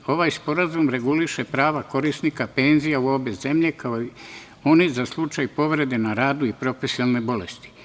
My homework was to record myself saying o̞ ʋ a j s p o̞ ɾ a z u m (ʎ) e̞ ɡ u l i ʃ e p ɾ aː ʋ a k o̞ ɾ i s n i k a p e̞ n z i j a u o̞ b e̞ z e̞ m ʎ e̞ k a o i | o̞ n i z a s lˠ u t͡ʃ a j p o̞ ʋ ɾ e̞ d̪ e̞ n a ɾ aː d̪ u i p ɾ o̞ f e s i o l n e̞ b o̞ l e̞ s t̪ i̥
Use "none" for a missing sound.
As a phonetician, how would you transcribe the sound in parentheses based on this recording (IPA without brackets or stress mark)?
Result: ɾ